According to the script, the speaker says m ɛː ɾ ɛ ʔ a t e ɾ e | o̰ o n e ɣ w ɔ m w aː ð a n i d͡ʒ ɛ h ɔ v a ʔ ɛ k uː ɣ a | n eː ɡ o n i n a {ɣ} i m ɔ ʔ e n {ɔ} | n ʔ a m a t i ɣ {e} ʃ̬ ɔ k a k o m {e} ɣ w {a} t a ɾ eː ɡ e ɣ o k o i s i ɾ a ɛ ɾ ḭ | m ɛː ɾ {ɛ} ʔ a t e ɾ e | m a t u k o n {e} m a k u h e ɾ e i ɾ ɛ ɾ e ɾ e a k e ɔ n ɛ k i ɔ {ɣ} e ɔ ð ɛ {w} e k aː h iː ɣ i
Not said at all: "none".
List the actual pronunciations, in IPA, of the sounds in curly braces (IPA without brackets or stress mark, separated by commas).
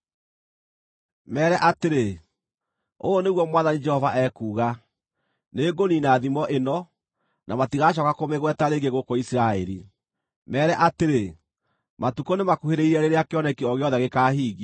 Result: ð, ɔ, a, e, ɛ, ɛ, e, ɣ, ɣ